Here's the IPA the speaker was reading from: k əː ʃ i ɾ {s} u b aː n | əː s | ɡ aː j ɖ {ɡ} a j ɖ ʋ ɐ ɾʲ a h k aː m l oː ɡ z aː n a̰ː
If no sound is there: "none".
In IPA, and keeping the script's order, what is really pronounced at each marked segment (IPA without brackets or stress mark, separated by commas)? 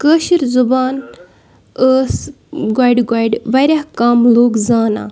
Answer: z, ɡ